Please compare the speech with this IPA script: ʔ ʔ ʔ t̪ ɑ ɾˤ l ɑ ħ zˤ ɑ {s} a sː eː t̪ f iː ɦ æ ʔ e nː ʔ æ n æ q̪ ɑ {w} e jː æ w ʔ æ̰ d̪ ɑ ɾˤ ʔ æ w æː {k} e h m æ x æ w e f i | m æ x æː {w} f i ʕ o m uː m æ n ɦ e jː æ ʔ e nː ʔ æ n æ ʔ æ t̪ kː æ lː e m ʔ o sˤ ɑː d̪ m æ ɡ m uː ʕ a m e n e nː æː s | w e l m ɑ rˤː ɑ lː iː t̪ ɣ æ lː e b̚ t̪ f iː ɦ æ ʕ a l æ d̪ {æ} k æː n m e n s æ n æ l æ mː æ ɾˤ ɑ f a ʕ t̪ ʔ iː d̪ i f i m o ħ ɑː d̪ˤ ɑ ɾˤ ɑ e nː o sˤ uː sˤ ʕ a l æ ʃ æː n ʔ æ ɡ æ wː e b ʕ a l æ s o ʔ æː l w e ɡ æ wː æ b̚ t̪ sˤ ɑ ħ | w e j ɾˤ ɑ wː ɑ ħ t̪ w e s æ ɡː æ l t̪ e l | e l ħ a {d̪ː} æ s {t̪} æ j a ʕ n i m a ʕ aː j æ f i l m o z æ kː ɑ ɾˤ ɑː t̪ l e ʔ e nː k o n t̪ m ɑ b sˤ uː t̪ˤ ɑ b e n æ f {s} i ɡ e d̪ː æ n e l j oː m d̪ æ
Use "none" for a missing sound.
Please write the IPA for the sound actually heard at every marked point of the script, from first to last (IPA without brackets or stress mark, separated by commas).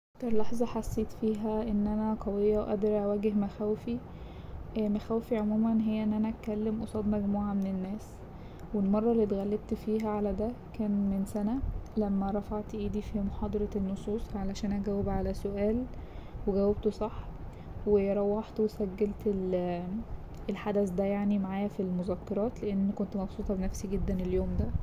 ħ, w, ɡ, w, æ, d̪, d̪, s